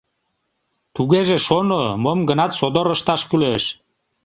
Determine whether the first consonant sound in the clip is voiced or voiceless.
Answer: voiceless